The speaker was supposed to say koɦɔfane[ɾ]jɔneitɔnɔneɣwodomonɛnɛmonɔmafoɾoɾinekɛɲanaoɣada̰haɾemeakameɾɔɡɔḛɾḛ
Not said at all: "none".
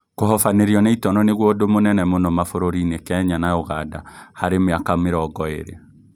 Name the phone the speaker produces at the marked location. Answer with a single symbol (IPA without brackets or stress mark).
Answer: ɾ